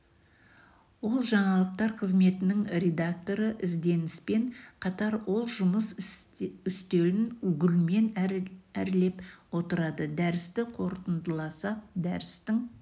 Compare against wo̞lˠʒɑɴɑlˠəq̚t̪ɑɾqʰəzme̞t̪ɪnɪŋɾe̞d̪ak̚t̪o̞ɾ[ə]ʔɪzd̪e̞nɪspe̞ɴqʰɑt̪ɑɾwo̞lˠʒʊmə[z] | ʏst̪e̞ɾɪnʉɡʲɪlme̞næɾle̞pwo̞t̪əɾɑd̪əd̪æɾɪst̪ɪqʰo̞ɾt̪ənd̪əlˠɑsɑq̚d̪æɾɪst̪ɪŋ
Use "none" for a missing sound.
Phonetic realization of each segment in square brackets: ə, s

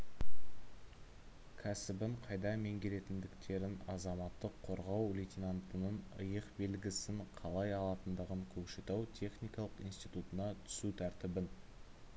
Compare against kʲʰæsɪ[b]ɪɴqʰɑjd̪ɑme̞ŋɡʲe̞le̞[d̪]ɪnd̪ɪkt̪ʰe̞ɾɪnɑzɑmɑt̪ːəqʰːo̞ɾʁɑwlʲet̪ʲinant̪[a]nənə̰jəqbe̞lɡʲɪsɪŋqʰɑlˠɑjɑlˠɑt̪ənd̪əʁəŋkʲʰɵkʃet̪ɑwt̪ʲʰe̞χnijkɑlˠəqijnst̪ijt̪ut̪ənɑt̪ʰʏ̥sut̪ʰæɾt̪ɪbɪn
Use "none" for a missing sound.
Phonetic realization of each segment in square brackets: b, t̪, ə

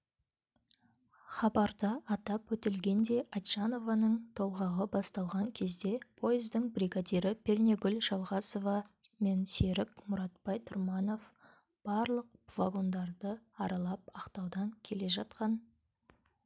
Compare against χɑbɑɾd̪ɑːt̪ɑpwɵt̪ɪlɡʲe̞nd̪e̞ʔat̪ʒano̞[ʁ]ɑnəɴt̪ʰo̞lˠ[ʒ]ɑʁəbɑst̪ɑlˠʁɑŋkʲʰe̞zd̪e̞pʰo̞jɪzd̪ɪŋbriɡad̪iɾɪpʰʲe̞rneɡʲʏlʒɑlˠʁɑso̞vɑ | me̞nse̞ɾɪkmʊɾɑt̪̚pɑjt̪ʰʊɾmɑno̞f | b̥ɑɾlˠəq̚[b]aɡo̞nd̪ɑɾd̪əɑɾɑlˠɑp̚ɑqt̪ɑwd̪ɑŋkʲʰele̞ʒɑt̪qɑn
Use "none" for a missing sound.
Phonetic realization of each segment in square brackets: v, ʁ, v

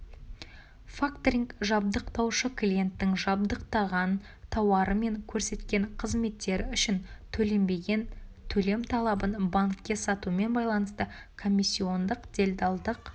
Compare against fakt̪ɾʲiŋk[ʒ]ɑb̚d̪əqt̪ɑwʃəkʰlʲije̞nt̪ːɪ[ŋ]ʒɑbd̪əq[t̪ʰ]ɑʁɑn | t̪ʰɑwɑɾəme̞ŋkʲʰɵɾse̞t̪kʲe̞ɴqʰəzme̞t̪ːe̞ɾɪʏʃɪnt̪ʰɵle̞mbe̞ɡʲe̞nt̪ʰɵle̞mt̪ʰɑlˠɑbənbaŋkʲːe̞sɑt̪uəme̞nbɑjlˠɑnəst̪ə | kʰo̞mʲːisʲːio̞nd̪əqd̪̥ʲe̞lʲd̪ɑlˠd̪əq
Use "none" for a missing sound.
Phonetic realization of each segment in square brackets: ʒ, ŋ, t̪

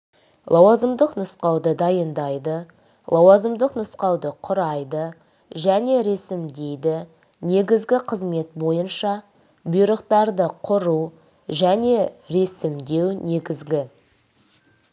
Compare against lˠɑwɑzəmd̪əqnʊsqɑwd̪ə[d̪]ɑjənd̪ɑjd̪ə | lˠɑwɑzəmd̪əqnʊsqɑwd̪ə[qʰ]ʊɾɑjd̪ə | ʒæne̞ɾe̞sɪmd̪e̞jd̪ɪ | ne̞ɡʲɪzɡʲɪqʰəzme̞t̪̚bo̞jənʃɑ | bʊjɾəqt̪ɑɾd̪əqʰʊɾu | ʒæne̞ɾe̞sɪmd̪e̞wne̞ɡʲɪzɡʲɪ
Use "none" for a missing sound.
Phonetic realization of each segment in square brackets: d̪, qʰ

